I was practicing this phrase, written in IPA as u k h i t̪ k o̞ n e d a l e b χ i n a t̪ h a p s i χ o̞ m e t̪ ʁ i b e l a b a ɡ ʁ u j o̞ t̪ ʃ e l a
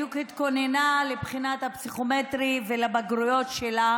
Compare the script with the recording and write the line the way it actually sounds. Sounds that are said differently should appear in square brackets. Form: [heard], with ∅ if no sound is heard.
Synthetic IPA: u k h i t̪ k o̞ n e [n] a l e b χ i n a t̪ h a p s i χ o̞ m e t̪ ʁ i [v] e l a b a ɡ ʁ u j o̞ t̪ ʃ e l a